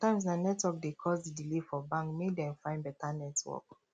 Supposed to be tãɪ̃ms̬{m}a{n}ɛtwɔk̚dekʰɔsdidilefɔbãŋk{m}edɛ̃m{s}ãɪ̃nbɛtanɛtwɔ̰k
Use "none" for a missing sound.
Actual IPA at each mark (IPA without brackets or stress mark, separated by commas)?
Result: n, n, m, f